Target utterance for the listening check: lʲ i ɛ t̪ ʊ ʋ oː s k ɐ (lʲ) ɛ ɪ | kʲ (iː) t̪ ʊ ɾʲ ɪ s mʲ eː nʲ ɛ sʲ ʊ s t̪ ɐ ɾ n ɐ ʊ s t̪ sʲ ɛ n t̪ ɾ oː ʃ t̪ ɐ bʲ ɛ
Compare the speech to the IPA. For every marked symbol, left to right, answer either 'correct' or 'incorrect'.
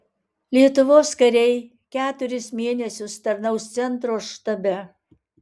incorrect: ɾʲ, incorrect: æː

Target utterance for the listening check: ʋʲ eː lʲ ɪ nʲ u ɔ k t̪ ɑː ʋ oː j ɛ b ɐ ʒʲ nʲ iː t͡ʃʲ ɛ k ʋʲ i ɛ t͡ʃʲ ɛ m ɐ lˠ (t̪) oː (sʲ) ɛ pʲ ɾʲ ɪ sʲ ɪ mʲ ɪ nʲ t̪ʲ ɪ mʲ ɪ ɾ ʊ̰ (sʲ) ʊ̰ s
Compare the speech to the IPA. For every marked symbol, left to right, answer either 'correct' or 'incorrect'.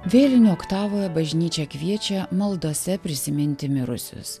incorrect: d̪, correct, correct

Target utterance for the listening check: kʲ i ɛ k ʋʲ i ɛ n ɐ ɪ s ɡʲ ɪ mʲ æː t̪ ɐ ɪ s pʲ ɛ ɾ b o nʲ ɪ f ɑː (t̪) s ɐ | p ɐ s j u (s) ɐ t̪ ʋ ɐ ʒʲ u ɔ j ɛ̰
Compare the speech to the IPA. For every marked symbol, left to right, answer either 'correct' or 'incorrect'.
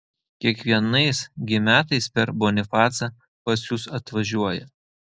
correct, correct

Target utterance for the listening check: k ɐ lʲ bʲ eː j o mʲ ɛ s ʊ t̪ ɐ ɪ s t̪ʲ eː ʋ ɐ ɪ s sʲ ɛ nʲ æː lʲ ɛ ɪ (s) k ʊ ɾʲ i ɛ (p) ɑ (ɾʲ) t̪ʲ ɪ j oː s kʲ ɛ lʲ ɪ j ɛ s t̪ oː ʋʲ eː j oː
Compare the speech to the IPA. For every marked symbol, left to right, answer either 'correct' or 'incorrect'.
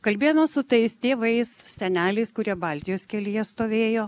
correct, incorrect: b, incorrect: lʲ

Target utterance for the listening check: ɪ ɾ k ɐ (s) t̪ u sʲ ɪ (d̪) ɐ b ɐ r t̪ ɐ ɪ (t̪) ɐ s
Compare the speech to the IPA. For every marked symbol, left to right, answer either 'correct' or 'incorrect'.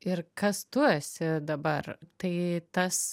correct, correct, correct

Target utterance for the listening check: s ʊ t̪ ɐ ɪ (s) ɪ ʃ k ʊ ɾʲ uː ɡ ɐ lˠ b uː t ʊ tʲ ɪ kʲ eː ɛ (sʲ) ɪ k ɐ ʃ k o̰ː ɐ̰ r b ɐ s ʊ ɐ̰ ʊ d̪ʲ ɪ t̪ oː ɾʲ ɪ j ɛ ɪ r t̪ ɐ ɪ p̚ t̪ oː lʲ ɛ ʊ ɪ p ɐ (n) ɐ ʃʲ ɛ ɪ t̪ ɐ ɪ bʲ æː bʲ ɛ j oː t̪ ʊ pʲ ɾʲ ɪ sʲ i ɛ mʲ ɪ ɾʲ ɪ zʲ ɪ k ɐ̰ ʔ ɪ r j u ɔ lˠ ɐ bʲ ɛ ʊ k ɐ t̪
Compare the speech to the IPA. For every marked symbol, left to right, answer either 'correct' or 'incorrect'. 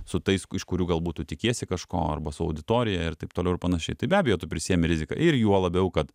correct, correct, correct

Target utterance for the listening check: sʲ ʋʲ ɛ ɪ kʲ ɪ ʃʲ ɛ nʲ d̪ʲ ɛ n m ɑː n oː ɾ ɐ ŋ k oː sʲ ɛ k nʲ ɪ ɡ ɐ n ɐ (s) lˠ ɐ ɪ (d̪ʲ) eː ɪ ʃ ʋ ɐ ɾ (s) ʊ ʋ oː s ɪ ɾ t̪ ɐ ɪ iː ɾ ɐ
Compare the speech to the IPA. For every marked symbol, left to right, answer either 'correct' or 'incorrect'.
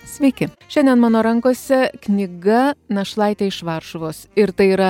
incorrect: ʃ, incorrect: t̪ʲ, incorrect: ʃ

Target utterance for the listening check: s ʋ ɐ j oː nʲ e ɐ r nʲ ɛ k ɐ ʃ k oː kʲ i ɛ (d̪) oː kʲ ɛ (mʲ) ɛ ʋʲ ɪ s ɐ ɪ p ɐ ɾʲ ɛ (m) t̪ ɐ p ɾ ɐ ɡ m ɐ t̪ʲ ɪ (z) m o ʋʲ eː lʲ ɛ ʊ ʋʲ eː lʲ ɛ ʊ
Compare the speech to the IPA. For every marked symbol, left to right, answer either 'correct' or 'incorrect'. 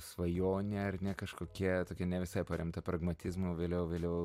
incorrect: t̪, incorrect: nʲ, correct, correct

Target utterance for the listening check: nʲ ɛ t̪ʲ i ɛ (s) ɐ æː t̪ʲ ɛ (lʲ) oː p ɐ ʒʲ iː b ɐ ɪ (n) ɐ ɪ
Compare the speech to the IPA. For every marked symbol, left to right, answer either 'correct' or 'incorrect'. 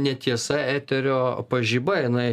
correct, incorrect: ɾʲ, correct

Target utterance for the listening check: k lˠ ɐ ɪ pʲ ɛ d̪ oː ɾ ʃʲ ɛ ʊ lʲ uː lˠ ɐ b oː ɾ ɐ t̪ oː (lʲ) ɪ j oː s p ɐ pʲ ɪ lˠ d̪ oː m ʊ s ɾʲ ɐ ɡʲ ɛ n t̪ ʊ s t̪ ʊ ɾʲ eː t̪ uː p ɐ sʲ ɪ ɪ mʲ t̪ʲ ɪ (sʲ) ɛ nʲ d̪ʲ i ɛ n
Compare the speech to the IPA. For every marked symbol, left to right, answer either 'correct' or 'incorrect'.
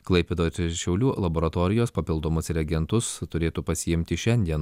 incorrect: ɾʲ, incorrect: ʃʲ

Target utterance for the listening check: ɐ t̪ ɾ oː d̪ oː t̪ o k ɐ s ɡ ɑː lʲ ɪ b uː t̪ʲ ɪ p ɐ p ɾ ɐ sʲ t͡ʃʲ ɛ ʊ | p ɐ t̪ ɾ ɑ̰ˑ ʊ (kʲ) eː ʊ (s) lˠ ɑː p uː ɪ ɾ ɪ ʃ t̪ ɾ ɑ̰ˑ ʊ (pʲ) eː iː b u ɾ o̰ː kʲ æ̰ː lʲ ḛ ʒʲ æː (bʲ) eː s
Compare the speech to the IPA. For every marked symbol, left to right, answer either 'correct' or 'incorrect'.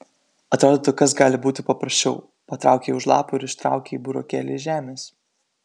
correct, incorrect: ʃ, incorrect: kʲ, incorrect: mʲ

